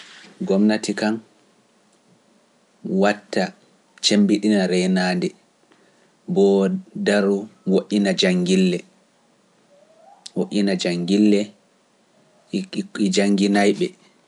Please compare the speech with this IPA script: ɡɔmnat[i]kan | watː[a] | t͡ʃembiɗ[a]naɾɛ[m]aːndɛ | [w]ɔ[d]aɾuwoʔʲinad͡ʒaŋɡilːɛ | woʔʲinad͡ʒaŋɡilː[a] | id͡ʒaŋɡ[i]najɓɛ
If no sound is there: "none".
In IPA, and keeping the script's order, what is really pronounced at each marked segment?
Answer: i, a, i, n, b, d, ɛ, i

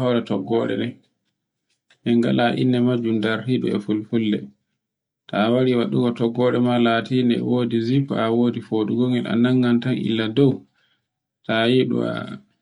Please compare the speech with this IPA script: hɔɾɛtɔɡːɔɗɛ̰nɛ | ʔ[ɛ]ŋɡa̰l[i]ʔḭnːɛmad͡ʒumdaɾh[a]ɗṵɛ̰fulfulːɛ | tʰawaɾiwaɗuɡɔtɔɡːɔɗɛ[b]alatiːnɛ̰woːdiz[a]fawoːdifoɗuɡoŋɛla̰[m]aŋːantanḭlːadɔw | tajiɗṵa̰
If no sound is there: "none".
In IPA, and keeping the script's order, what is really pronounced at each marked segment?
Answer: ɛ, a, i, m, i, n

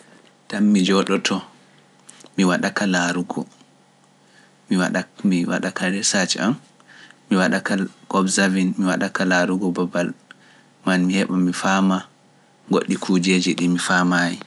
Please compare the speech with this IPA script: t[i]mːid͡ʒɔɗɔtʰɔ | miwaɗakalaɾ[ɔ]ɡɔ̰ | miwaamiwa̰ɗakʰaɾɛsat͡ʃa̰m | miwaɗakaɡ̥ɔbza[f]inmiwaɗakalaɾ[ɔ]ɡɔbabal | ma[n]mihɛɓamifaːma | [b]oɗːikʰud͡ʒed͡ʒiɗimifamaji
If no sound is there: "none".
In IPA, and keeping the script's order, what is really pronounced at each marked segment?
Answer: a, u, v, u, n, ɡ

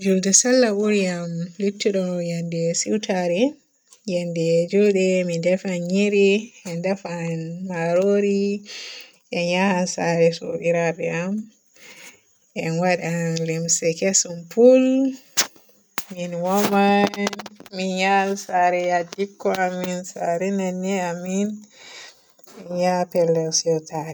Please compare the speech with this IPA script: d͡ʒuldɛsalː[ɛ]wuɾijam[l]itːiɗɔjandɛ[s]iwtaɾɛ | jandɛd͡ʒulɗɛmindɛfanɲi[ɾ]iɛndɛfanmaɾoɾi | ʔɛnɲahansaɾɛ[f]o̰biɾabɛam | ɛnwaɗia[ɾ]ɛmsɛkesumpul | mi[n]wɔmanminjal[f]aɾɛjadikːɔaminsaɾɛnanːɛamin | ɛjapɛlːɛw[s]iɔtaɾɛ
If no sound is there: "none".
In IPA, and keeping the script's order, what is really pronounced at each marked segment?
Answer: a, l, s, ɾ, s, l, n, s, s

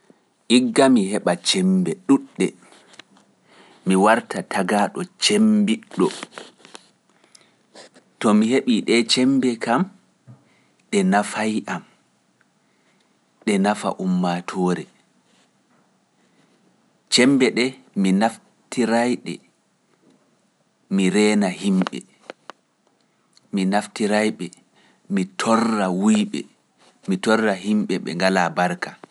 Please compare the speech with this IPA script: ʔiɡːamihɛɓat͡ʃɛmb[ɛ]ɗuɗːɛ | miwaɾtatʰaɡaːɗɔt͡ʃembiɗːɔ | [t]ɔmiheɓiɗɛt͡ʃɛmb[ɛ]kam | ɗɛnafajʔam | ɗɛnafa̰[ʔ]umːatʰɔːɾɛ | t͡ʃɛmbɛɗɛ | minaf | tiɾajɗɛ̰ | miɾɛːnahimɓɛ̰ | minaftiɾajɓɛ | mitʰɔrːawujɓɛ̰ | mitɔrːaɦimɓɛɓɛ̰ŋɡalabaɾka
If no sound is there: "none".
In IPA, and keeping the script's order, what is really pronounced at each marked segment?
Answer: ɛ, t, ɛ, ʔ

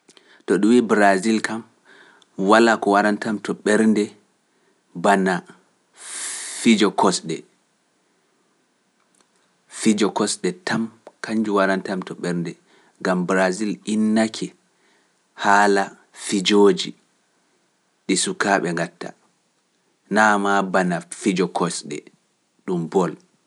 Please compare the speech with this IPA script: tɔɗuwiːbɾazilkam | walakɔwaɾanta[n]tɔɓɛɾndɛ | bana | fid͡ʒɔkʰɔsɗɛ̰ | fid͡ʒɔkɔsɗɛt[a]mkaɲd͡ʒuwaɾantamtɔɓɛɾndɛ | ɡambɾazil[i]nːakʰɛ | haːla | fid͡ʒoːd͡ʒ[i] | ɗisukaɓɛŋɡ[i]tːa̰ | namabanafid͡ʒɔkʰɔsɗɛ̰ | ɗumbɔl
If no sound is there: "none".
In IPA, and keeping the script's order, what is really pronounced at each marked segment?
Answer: m, a, i, i, a

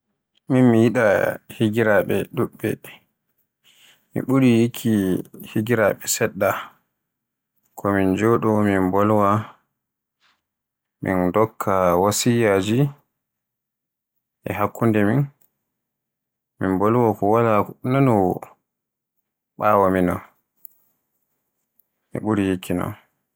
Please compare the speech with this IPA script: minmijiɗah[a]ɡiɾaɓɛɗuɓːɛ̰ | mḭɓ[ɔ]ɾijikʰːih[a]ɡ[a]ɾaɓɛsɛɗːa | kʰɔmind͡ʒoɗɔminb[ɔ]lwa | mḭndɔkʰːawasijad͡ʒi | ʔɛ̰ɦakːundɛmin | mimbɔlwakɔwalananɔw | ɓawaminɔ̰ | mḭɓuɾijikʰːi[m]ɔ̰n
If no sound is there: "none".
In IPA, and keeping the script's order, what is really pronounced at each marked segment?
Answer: i, u, i, i, ɔ, n

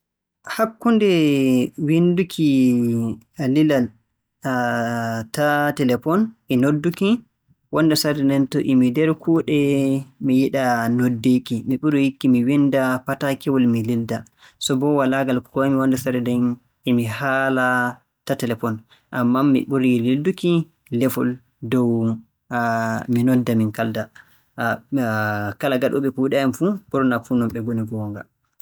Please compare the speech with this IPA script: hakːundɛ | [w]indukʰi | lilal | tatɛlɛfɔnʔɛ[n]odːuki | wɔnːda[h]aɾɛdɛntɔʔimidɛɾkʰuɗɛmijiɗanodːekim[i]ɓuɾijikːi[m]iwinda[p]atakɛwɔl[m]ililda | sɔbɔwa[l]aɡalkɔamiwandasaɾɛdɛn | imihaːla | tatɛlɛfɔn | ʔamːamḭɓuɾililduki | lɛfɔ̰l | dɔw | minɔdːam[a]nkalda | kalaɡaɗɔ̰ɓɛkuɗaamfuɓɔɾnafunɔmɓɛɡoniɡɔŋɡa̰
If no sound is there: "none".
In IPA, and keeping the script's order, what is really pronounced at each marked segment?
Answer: w, n, s, i, m, p, m, l, i

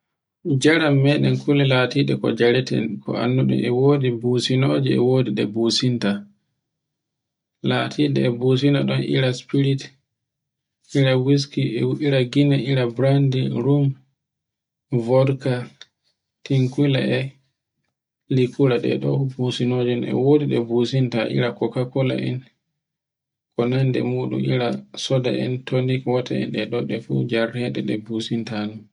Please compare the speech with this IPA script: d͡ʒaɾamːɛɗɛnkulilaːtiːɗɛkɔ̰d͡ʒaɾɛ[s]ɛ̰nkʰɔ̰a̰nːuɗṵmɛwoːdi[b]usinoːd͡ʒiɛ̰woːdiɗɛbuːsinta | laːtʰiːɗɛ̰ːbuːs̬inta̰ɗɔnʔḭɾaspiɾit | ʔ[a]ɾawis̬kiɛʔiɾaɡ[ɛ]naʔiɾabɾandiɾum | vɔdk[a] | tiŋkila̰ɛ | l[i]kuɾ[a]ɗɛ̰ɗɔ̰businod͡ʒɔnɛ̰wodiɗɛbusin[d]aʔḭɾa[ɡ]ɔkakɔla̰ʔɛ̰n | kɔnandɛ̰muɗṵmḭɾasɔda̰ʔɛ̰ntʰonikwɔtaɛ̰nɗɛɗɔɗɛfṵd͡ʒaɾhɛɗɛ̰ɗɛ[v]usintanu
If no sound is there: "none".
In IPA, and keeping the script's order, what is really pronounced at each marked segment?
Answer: t, b, i, i, a, i, a, t, k, b

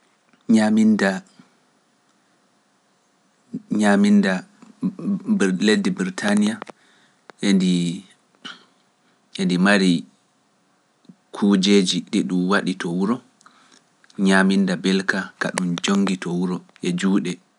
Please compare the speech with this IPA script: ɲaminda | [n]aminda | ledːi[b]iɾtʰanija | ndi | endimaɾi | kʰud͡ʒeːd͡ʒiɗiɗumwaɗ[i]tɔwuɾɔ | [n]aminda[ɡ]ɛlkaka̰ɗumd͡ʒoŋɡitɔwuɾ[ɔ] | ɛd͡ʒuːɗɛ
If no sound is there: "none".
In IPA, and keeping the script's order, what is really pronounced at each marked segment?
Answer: ɲ, b, i, ɲ, b, ɔ

